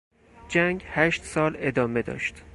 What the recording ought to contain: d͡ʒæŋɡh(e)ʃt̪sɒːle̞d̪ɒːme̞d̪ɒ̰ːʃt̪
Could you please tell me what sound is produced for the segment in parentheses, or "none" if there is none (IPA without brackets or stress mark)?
æ